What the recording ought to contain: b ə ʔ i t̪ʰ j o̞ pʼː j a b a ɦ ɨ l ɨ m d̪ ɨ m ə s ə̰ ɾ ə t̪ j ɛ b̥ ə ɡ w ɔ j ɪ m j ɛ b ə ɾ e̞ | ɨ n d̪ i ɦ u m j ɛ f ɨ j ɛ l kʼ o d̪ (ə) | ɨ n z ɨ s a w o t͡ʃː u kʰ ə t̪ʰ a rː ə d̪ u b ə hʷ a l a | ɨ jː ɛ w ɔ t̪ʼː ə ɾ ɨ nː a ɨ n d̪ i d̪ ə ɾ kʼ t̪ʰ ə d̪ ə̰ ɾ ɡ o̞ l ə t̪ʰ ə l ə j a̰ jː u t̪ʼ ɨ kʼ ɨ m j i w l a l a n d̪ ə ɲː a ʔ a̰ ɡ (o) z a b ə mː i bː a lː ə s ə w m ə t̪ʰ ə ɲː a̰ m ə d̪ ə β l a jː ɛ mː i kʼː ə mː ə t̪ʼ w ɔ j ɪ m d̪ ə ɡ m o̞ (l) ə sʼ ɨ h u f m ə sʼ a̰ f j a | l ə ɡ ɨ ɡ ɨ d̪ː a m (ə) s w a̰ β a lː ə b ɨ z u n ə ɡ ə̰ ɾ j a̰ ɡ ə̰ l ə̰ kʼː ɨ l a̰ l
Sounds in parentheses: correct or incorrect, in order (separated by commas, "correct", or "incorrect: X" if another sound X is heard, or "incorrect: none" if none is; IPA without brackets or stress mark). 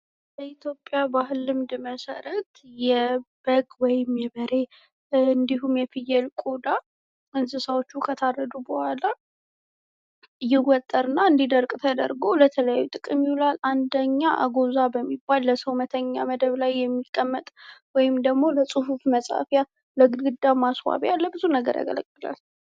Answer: incorrect: a, correct, correct, incorrect: a